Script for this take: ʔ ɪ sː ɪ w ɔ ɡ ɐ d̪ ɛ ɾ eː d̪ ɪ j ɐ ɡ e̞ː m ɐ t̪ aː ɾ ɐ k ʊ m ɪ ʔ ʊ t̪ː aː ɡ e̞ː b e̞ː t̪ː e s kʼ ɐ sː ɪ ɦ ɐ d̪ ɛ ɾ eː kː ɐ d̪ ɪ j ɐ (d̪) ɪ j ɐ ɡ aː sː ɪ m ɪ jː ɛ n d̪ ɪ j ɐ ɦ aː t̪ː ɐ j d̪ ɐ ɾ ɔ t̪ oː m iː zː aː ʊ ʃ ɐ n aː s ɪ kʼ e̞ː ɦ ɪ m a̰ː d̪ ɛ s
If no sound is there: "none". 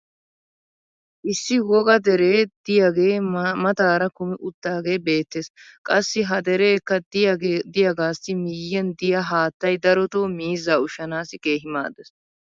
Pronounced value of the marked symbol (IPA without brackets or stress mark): d̪